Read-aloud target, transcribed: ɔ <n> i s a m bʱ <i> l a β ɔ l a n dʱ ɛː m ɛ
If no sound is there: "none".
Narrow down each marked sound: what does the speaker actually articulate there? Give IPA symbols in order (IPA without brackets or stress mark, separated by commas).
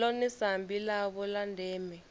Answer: n, i